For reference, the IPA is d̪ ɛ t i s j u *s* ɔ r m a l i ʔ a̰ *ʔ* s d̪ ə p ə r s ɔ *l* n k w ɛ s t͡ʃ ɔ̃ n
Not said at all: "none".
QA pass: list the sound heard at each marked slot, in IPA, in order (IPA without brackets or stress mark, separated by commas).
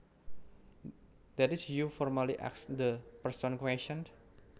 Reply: f, k, none